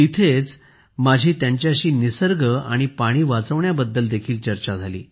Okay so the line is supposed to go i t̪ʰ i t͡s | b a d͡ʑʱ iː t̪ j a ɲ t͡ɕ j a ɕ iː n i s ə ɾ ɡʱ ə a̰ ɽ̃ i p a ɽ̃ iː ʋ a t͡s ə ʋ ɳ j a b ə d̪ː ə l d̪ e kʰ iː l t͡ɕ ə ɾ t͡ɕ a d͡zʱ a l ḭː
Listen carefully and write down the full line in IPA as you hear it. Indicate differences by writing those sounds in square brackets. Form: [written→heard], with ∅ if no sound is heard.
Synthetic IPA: i t̪ʰ [i→e] t͡s | [b→m] a d͡ʑʱ iː t̪ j a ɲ t͡ɕ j a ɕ iː n i s ə ɾ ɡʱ ə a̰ ɽ̃ i p a ɽ̃ iː ʋ a t͡s ə ʋ ɳ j a b ə d̪ː ə l d̪ e kʰ iː l t͡ɕ ə ɾ t͡ɕ a d͡zʱ a l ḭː